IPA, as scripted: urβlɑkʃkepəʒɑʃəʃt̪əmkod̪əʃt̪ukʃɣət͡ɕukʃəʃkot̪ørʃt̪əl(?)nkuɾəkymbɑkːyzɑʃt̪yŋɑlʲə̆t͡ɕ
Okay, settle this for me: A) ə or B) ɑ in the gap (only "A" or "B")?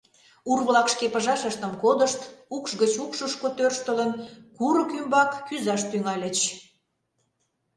A